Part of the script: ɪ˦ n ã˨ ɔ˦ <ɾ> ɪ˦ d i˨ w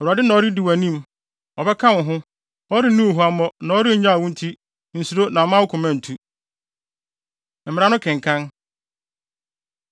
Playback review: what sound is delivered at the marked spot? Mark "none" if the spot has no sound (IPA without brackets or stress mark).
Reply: ɾ